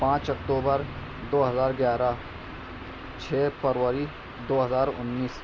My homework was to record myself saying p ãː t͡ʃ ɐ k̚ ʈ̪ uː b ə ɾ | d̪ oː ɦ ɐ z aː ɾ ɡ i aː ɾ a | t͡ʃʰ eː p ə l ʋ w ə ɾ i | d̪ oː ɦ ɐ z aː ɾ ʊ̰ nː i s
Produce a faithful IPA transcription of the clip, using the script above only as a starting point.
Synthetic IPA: p ãː t͡ʃ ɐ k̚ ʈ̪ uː b ə ɾ | d̪ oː ɦ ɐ z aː ɾ ɡ j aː ɾ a | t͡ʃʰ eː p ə ɾ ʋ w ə ɾ i | d̪ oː ɦ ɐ z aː ɾ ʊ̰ nː iː s

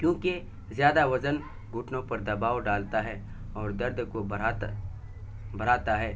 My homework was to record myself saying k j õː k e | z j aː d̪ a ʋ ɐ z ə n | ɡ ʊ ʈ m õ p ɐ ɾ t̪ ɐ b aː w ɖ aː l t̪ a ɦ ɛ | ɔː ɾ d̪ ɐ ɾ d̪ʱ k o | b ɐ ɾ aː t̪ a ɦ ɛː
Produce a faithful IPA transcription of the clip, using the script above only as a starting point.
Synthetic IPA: k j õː k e | z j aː d̪ a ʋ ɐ z ə n | ɡ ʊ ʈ n õ p ɐ ɾ d̪ ɐ b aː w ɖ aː l t̪ a ɦ ɛ | ɔː ɾ d̪ ɐ ɾ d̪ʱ k o | b ɐ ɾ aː t̪ a ɦ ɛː

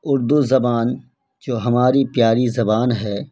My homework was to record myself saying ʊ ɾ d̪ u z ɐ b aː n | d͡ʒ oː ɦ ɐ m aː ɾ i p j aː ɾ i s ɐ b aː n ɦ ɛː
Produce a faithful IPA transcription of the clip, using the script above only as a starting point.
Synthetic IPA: ʊ ɾ d̪ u z ɐ b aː n | d͡ʒ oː ɦ ɐ m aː ɾ i p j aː ɾ i z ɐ b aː n ɦ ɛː

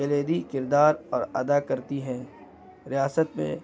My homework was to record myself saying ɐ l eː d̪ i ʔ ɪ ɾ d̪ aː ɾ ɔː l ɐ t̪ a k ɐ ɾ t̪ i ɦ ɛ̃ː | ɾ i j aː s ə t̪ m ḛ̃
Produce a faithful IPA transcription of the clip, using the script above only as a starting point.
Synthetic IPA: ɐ l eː d̪ i k ɪ ɾ d̪ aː ɾ ɔː ɾ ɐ d̪ a k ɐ ɾ t̪ i ɦ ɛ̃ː | ɾ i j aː s ə t̪ m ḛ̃

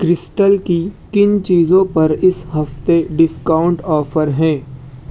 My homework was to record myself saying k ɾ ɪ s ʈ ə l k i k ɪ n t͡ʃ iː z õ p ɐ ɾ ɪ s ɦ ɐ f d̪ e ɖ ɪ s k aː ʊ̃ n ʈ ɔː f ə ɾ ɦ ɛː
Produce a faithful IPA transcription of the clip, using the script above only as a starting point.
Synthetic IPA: k ɾ ɪ s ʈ ə l k i k ɪ n t͡ʃ iː z õ p ɐ ɾ ɪ s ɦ ɐ f t̪ e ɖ ɪ s k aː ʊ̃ ɳ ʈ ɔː f ə ɾ ɦ ɛ̃ː

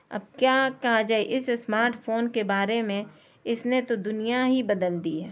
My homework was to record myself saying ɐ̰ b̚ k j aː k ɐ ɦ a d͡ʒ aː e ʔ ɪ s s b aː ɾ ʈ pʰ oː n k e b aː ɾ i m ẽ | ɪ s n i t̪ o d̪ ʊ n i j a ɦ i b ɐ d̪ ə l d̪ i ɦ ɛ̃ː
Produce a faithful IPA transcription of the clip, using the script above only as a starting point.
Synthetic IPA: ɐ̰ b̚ k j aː k ɐ ɦ a d͡ʒ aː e ʔ ɪ s s m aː ɾ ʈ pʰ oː n k e b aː ɾ e m ẽ | ɪ s n e t̪ o d̪ ʊ n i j a ɦ i b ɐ d̪ ə l d̪ i ɦ ɛː

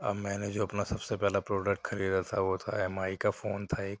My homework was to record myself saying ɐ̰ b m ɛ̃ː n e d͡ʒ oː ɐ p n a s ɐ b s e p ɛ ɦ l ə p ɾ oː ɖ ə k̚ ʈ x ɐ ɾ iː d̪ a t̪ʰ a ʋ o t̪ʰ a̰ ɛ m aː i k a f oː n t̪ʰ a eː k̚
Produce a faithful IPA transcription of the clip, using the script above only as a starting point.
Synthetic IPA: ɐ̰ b m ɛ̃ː n e d͡ʒ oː ɐ p n a s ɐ b s e p ɛ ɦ l a p ɾ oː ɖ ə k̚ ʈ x ɐ ɾ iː d̪ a t̪ʰ a ʋ o t̪ʰ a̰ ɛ m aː i k a f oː n t̪ʰ a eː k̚

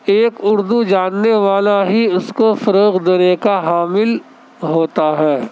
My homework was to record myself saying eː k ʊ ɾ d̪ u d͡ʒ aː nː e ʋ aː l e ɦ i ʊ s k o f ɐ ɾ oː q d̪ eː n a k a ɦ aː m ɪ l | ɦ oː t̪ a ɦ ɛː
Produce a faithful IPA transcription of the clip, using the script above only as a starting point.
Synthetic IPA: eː k ʊ ɾ d̪ u d͡ʒ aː nː e ʋ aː l a ɦ i ʊ s k o f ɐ ɾ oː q d̪ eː n e k a ɦ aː m ɪ l | ɦ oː t̪ a ɦ ɛː

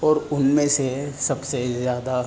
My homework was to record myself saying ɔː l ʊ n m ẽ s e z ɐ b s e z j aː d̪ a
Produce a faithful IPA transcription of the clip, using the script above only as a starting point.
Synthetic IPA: ɔː ɾ ʊ n m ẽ s e s ɐ b s e z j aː d̪ a

